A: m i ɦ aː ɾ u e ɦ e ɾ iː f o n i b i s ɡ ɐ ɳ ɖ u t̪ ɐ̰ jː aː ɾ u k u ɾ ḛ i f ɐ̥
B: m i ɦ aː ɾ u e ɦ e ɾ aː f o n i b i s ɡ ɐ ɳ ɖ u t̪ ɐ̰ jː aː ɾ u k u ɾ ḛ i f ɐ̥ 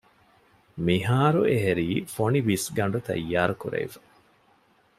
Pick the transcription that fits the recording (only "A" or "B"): A